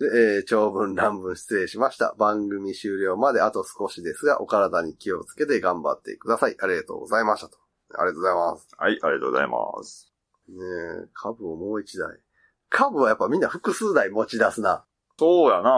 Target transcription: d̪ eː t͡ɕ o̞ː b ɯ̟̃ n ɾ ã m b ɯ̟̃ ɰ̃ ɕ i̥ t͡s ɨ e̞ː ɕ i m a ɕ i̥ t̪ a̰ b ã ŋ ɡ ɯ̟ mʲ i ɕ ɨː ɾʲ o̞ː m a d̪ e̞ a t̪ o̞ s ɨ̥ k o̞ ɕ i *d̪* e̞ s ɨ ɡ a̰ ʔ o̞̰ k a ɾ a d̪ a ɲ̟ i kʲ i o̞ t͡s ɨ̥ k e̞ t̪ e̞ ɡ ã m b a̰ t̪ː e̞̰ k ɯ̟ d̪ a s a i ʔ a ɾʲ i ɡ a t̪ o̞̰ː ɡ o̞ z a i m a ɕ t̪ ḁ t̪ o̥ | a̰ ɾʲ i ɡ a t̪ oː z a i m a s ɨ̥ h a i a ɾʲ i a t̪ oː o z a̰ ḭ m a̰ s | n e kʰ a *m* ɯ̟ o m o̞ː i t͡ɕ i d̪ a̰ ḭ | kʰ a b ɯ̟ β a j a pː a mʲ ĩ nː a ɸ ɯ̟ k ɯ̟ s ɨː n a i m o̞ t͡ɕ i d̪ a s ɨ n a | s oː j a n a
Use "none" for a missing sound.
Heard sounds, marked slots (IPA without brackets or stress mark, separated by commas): d̪, b